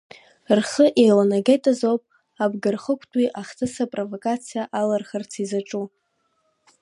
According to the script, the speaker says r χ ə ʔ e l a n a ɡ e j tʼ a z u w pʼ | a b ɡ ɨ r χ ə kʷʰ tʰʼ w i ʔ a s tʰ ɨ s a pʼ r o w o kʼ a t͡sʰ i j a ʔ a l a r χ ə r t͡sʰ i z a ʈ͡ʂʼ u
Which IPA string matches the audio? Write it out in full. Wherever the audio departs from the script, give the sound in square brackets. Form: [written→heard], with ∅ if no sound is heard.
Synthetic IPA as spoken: r χ ə ʔ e l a n a ɡ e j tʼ a z [u→o] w pʼ | a b ɡ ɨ r χ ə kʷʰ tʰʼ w i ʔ a [s→χ] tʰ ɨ s a pʼ r o [w→v] o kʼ a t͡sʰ i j a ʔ a l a r χ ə r t͡sʰ i z a ʈ͡ʂʼ u